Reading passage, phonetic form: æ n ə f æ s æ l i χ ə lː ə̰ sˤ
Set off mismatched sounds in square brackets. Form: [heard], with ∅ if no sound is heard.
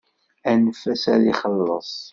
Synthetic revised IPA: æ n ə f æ s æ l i χ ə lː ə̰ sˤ